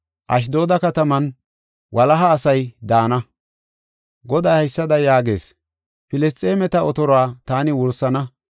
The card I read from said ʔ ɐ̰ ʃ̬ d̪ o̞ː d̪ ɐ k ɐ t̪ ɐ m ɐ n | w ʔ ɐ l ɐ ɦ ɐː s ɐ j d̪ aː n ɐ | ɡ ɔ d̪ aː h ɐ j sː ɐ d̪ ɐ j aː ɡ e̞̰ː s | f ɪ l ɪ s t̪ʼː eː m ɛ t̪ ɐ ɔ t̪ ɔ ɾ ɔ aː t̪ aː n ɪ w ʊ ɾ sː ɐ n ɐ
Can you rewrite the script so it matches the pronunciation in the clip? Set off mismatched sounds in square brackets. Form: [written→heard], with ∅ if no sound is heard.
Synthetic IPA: ʔ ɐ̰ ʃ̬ d̪ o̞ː d̪ ɐ k ɐ t̪ ɐ m ɐ n | w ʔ ɐ l ɐ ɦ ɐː s ɐ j d̪ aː n ɐ | ɡ ɔ d̪ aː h ɐ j sː ɐ d̪ ɐ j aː ɡ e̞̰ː s | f ɪ l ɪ s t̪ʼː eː m ɛ t̪ ɐ ɔ t̪ ɔ ɾ ɔ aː t̪ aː n ɪ w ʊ ɾ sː ɐ n ɐ